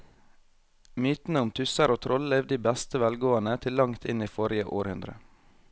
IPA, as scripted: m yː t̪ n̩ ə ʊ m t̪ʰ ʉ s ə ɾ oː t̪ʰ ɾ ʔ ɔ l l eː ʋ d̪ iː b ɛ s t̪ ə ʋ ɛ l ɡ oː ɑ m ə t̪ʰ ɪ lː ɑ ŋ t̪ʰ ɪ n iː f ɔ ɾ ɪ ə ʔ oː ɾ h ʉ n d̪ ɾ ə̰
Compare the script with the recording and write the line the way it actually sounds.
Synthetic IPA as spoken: m yː t̪ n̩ ə ʊ m t̪ʰ ʉ s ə ɾ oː t̪ʰ ɾ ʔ ɔ l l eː ʋ d̪ iː b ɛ s t̪ ə ʋ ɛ l ɡ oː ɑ n ə t̪ʰ ɪ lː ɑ ŋ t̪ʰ ɪ n iː f ɔ ɾ ɪ ə ʔ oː ɾ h ʉ n d̪ ɾ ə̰